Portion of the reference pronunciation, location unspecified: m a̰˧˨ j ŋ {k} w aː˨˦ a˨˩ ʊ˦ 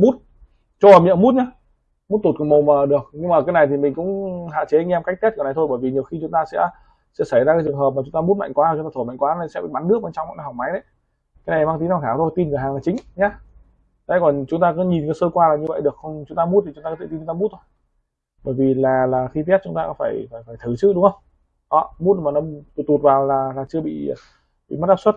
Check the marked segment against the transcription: correct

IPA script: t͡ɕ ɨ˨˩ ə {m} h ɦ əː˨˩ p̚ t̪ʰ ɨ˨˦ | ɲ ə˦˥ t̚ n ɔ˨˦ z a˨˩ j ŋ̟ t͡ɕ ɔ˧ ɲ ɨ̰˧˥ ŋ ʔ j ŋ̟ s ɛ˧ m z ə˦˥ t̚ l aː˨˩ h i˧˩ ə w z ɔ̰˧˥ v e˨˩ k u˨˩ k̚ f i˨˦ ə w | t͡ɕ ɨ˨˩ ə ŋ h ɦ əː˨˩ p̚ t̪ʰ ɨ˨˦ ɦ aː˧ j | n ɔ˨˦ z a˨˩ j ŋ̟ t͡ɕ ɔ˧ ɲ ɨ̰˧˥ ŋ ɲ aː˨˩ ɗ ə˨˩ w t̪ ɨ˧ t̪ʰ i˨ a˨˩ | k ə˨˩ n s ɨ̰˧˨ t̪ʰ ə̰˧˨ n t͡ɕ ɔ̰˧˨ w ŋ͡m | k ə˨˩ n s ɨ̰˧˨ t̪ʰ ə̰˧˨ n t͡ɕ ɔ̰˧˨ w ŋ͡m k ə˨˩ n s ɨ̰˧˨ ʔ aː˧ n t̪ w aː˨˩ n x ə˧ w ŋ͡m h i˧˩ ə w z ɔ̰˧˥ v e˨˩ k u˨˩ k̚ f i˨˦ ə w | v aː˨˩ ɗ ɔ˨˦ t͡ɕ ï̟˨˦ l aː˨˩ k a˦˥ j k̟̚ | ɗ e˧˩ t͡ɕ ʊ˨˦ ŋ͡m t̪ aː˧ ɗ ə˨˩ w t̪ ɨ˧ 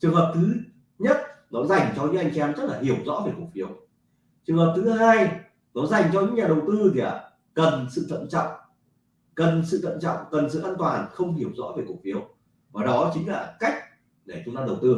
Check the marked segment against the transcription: incorrect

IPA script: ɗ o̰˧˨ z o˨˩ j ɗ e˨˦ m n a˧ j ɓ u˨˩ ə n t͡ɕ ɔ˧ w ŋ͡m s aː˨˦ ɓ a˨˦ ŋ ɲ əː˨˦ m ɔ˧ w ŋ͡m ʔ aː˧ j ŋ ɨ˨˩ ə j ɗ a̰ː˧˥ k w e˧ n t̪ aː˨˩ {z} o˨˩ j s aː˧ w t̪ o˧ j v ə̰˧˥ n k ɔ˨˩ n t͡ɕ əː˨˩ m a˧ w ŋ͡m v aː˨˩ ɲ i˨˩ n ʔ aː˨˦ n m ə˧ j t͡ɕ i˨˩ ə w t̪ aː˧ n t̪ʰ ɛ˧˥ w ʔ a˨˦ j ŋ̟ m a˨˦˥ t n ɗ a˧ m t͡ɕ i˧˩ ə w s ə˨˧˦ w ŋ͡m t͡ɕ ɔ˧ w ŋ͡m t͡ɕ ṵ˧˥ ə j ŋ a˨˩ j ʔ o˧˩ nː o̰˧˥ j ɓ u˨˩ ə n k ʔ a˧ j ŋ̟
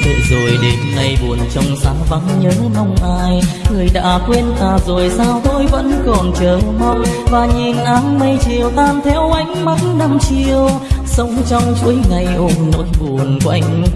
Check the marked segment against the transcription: correct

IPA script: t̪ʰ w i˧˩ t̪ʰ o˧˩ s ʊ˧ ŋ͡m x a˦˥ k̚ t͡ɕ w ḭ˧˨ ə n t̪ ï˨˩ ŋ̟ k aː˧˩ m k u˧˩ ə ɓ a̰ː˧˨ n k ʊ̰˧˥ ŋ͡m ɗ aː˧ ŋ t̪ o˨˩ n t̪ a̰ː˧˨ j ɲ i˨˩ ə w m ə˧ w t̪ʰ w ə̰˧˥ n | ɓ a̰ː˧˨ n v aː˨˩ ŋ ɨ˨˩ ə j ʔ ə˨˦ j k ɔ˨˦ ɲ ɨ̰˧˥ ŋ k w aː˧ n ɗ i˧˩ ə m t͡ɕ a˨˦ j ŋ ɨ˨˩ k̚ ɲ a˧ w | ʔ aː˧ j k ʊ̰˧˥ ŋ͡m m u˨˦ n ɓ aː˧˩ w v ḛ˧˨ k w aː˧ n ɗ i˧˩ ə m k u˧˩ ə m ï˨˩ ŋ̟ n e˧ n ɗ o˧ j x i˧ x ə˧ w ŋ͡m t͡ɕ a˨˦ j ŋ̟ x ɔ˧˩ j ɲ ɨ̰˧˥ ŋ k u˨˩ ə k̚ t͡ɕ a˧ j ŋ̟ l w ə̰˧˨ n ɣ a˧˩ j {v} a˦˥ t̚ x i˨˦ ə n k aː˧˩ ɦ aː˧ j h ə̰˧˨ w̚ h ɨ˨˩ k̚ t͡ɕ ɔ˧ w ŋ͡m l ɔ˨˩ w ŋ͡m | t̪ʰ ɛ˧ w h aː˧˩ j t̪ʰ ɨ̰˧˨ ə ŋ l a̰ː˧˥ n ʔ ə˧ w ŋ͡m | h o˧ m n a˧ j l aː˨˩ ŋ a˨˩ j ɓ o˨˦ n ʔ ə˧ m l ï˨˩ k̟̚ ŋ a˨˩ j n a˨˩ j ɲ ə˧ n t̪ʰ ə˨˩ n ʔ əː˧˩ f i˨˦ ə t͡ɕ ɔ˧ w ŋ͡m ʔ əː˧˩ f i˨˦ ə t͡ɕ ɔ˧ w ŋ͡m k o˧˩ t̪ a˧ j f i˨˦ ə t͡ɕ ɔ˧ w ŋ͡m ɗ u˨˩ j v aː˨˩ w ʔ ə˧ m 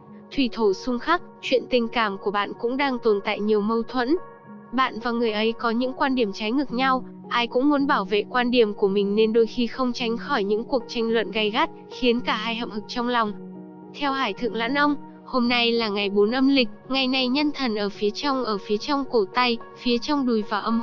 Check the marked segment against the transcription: incorrect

